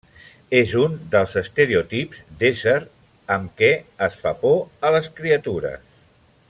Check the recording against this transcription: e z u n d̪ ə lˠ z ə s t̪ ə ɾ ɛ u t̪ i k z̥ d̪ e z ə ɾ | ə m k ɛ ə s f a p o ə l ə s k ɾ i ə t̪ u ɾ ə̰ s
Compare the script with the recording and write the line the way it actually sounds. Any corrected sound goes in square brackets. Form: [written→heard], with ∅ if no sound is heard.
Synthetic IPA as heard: e z u n d̪ ə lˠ z ə s t̪ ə ɾ [ɛ→e] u t̪ i [k→p] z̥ d̪ e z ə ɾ | ə m k ɛ ə s f a p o ə l ə s k ɾ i ə t̪ u ɾ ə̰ s

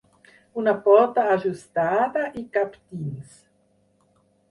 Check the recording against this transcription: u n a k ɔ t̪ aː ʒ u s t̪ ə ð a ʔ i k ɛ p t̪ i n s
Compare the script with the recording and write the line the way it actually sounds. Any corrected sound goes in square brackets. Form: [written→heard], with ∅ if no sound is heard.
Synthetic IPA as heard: u n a [k→p] ɔ t̪ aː ʒ u s t̪ [ə→a] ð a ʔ i k [ɛ→a] p t̪ i n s

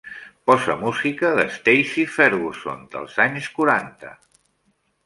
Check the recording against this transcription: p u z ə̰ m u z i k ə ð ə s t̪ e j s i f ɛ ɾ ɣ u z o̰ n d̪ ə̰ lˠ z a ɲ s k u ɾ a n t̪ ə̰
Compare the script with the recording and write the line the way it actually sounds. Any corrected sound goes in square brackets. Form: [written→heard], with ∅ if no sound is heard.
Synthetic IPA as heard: p [u→ɔ] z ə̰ m u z i k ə ð ə s t̪ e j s i f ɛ ɾ ɣ u [z→s] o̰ n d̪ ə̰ lˠ z a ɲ s k u ɾ a n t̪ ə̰

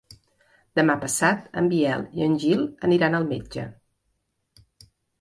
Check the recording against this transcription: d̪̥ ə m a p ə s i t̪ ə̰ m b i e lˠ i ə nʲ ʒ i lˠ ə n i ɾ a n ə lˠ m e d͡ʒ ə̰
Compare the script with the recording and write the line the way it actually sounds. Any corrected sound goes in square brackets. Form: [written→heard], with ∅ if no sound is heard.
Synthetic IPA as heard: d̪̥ ə m a p ə s [i→a] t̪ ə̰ m b i [e→ɛ] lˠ i ə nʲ ʒ i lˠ ə n i ɾ a n ə lˠ m e d͡ʒ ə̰

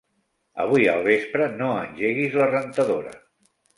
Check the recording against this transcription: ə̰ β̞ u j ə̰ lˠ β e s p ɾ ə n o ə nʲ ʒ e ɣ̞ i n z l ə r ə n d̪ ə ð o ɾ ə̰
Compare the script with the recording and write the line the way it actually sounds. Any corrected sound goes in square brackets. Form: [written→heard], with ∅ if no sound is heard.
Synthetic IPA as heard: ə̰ β̞ u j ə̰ lˠ β e s p ɾ ə n o ə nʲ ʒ e ɣ̞ i [n→∅] z l ə r ə n [d̪→t̪] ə ð o ɾ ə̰

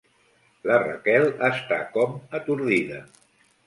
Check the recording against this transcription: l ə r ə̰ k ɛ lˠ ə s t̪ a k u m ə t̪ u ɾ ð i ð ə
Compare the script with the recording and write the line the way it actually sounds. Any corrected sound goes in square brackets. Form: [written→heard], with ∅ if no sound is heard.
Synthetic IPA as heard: l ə r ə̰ k ɛ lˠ ə s t̪ a k [u→ɔ] m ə t̪ u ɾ ð i ð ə

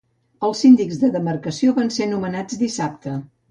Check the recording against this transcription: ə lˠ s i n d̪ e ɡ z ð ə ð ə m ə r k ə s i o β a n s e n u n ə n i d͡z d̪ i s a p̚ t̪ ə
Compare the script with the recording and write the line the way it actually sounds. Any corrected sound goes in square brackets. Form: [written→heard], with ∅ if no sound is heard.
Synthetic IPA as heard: ə lˠ s i n d̪ [e→i] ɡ z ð ə ð ə m ə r k ə s i o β a n s e n u [n→m] ə n [i→a] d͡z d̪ i s a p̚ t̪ ə

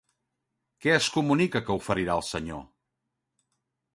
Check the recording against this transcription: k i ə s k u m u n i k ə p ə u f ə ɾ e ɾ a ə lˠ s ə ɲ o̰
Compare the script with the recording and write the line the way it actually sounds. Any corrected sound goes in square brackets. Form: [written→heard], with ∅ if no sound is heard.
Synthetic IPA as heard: k [i→ɛ] ə s k u m u n i k ə [p→k] ə u f ə ɾ [e→i] ɾ a ə lˠ s ə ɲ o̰

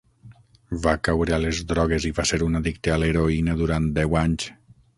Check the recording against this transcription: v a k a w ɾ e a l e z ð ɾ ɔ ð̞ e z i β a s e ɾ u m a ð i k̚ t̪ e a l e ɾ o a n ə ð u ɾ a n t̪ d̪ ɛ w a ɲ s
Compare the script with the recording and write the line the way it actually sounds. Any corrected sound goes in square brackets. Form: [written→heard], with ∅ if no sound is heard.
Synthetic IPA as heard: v a k a w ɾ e a l e z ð ɾ ɔ [ð̞→ɣ̞] e z i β a s e ɾ u [m→n] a ð i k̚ t̪ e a l e ɾ o [a→i] n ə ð u ɾ a n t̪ d̪ ɛ w a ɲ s

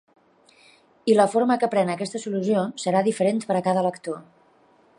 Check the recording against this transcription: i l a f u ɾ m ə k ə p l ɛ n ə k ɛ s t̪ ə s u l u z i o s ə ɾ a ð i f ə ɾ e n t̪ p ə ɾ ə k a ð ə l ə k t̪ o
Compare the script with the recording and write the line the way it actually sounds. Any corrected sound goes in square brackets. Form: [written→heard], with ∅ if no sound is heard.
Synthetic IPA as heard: i l [a→ə] f [u→o] ɾ m ə k ə p [l→ɾ] ɛ n ə k ɛ s t̪ ə s u l u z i o s ə ɾ a ð i f ə ɾ e n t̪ p ə ɾ ə k a ð ə l ə k t̪ o

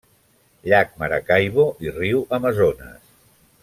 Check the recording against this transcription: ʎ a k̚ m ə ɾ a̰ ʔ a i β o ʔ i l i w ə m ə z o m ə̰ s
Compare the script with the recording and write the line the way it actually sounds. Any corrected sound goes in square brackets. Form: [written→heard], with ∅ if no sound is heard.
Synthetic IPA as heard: ʎ a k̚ m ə ɾ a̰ [ʔ→k] a [i→j] β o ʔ i [l→r] i w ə m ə z o [m→n] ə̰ s

